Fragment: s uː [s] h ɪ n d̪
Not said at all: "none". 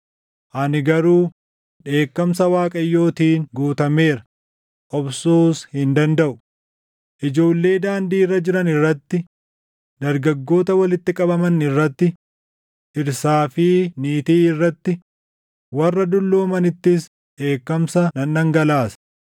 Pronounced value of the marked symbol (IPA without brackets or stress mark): s